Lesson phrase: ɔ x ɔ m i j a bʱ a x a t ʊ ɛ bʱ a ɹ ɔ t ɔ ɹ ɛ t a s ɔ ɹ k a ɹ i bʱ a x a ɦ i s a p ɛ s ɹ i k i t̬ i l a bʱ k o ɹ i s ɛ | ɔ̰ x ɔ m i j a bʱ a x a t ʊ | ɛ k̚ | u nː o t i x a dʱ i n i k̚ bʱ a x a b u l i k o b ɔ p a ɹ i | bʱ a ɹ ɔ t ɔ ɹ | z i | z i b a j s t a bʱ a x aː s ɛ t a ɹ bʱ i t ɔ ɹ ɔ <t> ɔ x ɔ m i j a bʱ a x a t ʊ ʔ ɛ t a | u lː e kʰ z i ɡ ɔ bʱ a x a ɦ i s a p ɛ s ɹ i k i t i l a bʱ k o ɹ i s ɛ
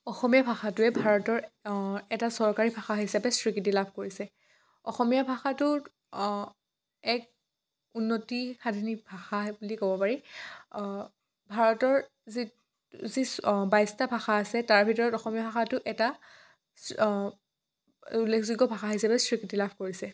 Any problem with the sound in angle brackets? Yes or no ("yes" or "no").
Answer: no